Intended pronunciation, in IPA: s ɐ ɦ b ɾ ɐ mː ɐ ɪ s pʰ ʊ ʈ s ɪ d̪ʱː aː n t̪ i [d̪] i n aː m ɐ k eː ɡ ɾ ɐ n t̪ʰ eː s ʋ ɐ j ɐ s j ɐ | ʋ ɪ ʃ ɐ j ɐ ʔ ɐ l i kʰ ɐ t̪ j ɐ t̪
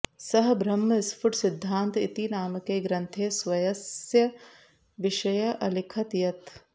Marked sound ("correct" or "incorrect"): incorrect